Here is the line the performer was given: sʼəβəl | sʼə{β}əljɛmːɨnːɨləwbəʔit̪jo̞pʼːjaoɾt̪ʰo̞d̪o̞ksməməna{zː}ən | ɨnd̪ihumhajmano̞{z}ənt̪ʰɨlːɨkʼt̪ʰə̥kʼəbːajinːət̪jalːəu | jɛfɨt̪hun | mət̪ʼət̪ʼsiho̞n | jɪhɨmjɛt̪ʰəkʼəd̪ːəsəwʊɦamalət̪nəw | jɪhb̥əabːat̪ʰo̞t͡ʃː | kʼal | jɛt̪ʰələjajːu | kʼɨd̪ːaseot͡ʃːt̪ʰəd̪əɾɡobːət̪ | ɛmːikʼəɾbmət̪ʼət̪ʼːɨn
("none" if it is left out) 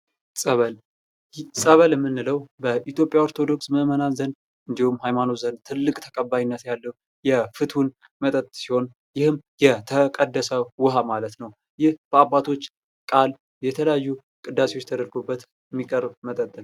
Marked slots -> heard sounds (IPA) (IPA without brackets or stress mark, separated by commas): β, z, z